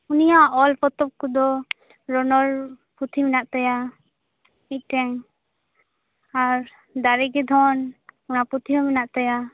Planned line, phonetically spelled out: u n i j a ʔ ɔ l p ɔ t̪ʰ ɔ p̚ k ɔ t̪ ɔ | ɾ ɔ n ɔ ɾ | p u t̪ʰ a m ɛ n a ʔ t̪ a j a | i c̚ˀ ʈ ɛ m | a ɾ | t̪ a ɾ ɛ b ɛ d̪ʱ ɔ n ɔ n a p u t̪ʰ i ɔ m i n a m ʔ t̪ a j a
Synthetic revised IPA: u n i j a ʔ ɔ l p ɔ t̪ ɔ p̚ k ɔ d̪ ɔ | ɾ ɔ n ɔ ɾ | p u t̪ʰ i m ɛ n a ʔ t̪ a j a | i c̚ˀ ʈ ɛ ŋ | a ɾ | d̪ a ɾ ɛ ɡ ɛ d̪ʱ ɔ n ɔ n a p u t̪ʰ i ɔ m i n a ʔ t̪ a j a